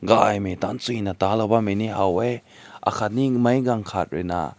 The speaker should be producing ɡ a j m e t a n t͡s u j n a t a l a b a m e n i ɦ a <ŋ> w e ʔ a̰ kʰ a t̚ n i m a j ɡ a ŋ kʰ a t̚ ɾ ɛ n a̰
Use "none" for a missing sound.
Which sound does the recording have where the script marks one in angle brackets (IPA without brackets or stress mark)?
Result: none